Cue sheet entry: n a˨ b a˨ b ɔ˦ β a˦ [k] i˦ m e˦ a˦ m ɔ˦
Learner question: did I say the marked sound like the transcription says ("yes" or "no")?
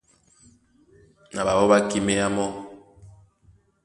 yes